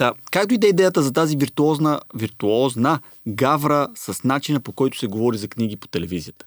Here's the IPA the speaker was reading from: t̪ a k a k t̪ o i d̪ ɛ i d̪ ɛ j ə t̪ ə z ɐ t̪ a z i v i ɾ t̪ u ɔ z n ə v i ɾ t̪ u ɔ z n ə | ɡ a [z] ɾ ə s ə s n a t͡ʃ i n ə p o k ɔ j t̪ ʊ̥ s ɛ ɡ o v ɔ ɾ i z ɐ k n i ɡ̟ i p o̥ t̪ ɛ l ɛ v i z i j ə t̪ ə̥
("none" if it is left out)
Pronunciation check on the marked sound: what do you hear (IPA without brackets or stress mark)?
v